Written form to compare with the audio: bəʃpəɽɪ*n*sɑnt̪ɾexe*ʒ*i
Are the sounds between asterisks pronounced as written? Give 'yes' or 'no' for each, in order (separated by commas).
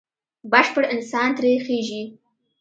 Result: yes, yes